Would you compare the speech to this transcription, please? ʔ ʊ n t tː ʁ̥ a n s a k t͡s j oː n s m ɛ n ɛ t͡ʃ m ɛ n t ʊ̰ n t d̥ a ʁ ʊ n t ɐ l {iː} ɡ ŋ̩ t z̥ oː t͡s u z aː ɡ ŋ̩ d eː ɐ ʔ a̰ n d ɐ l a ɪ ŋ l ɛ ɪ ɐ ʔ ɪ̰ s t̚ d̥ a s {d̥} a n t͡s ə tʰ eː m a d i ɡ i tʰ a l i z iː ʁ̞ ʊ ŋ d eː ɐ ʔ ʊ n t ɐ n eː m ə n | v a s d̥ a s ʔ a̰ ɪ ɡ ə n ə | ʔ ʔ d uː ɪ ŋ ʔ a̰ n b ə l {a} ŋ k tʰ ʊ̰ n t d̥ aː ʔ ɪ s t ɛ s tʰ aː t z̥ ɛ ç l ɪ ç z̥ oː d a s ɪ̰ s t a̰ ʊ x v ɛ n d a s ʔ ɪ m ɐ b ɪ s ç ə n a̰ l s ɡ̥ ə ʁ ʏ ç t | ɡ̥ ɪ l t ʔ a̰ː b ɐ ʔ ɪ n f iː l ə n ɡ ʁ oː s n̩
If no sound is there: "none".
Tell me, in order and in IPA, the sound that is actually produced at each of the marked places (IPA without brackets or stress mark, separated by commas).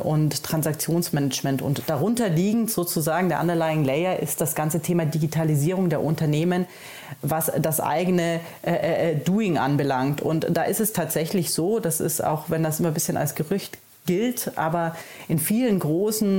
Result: iː, ɡ̥, a